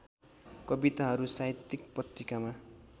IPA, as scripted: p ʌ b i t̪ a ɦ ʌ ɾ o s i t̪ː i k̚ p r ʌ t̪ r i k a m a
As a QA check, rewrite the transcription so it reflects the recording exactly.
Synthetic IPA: k ʌ b i t̪ a ɦ ʌ ɾ u s a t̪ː i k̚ p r ʌ t̪ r i k a m a